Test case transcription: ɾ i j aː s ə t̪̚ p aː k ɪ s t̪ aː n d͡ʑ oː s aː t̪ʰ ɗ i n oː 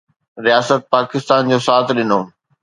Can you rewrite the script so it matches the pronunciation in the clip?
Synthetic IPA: ɾ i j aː s ə t̪̚ p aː k ɪ s t̪ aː n d͡ʑ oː s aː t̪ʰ ɗ ɪ n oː